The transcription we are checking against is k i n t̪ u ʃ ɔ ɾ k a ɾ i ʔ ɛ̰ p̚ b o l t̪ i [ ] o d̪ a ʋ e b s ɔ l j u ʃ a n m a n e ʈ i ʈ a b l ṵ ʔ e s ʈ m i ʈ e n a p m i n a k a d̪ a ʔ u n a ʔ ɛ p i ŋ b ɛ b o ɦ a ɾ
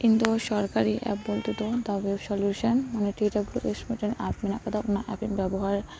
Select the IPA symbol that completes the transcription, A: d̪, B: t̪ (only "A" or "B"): B